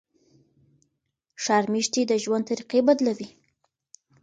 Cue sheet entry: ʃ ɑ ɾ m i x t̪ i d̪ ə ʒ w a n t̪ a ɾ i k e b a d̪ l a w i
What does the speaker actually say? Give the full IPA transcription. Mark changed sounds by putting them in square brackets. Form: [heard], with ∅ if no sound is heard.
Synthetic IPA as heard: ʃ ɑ ɾ m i [ʃ] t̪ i d̪ ə ʒ w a n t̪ a ɾ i [q] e b a d̪ l a w i

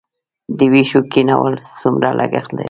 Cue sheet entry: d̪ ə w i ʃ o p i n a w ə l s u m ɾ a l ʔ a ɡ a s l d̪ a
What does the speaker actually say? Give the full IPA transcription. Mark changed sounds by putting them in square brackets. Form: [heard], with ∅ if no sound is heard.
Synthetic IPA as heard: d̪ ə w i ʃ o [k] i n a w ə l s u m ɾ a l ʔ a ɡ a [x] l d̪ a

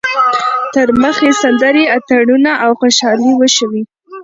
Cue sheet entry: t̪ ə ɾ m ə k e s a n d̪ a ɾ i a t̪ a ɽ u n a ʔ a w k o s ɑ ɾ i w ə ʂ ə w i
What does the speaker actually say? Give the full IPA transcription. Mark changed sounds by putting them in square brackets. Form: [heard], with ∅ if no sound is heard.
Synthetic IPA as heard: t̪ ə ɾ m ə [x] e s a n d̪ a ɾ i a t̪ a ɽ u n a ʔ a w [x] o [ʃ] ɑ [l] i w ə [ʃ] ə w i

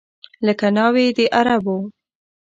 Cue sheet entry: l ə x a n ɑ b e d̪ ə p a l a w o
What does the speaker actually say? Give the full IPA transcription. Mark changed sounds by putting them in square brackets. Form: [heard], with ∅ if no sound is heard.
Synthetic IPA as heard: l ə [k] a n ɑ [w] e d̪ ə [ʔ] a [ɾ] a [b] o

